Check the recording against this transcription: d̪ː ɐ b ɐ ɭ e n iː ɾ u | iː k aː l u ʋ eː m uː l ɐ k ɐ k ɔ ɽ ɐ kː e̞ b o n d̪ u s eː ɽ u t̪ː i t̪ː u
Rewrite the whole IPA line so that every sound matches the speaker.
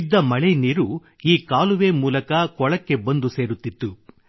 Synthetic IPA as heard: d̪ː ɐ m ɐ ɭ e n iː ɾ u | iː k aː l u ʋ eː m uː l ɐ k ɐ k ɔ ɭ ɐ kː e̞ b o n d̪ u s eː ɾ u t̪ː i t̪ː u